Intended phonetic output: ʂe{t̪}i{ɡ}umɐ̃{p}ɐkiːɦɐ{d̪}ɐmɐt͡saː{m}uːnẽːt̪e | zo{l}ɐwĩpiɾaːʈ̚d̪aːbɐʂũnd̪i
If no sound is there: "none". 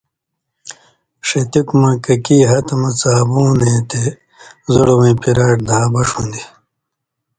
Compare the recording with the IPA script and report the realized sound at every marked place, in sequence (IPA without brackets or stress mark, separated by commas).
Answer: t̪, k, k, t̪, b, ɽ